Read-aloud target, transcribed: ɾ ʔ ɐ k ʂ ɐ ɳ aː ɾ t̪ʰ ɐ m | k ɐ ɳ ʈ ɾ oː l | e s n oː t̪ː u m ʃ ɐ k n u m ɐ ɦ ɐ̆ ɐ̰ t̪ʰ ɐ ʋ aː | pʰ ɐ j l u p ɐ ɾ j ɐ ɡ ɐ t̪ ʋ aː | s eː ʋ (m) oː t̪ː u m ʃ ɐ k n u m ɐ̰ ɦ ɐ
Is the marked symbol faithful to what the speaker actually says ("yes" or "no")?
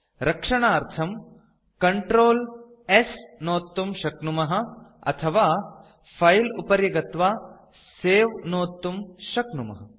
no